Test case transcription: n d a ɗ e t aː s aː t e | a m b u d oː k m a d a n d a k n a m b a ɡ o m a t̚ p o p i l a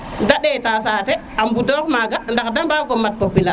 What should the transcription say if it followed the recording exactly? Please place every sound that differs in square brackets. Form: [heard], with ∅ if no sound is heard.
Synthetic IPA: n d a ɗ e t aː s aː t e | a m b u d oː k m a [ɡ] a n d a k [d] a m b a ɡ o m a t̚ p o p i l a